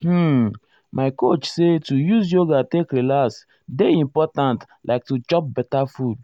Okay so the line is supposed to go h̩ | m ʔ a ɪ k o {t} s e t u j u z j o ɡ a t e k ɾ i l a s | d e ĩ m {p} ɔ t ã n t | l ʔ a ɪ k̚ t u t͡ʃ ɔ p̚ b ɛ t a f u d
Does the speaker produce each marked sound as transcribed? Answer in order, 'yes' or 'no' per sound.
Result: no, yes

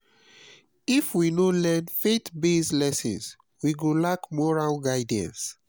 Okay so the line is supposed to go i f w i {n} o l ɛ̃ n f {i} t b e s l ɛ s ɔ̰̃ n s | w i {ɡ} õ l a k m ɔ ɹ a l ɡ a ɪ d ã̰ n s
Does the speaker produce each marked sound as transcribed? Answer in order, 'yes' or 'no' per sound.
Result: yes, no, yes

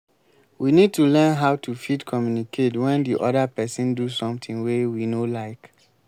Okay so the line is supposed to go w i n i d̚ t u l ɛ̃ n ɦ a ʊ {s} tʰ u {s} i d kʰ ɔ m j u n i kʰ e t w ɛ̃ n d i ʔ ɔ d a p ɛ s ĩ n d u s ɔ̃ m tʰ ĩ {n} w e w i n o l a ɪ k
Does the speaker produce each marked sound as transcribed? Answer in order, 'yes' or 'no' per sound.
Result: no, no, no

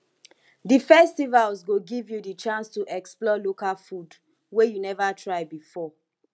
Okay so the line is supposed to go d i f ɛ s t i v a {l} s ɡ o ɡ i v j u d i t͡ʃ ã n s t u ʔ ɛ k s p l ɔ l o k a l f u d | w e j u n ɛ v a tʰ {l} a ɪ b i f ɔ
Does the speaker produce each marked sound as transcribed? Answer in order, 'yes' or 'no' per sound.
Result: yes, no

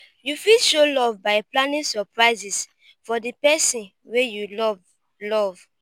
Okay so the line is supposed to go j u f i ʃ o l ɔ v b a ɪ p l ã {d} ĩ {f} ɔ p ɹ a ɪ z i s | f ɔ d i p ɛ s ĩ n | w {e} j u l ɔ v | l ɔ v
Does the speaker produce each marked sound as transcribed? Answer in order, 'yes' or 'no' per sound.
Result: no, no, yes

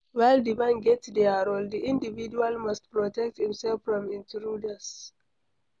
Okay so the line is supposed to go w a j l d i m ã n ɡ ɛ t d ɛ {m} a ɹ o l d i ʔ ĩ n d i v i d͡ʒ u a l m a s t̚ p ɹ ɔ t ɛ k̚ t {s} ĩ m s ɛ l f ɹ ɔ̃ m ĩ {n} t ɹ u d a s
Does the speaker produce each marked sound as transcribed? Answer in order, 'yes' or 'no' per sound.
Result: no, no, yes

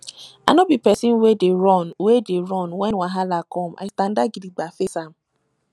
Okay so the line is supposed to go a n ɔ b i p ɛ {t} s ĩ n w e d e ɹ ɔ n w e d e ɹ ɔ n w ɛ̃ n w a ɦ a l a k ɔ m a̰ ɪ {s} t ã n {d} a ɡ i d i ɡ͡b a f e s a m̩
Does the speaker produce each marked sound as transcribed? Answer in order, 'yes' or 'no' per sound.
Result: no, yes, yes

